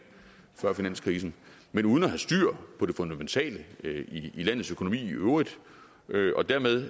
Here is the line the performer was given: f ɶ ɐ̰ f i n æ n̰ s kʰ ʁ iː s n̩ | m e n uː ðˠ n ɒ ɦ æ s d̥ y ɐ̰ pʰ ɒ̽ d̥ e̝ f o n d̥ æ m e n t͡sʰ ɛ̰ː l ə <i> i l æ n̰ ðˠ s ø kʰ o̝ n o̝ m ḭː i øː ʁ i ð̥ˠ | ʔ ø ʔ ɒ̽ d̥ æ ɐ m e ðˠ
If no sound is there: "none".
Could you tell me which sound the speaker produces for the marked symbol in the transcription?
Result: i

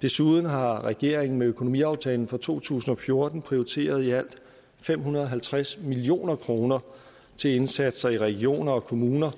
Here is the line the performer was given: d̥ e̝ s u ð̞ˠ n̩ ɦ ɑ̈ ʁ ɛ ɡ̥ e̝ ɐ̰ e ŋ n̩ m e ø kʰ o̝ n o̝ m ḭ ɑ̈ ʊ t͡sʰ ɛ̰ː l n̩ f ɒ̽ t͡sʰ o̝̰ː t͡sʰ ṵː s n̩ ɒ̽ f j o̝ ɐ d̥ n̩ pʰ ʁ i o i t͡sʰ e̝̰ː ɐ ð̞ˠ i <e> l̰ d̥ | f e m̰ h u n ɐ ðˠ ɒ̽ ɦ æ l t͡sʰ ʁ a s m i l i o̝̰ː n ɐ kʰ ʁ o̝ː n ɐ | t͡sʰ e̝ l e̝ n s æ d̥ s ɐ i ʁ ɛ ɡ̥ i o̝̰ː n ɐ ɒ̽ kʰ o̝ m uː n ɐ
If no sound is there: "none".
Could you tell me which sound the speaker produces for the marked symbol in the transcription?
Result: æ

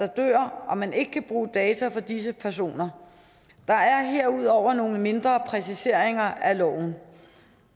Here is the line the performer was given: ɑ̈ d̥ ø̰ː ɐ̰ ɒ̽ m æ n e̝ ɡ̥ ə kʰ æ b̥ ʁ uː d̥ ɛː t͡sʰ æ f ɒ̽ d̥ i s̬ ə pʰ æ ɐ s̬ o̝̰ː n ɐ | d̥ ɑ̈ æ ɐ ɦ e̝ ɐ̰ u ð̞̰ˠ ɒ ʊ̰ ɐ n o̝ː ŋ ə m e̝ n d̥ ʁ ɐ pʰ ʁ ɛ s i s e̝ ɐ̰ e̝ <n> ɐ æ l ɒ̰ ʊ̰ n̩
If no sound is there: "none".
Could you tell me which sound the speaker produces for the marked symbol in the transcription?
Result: ŋ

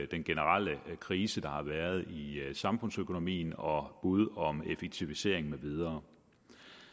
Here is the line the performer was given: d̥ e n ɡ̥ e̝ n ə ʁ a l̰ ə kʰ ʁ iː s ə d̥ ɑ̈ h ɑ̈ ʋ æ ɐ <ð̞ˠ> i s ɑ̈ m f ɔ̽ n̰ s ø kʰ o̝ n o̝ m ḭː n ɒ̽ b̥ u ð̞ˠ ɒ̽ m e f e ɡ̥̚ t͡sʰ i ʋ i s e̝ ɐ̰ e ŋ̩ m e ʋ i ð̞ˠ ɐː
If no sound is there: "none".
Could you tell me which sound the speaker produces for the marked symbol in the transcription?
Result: ð̞ˠ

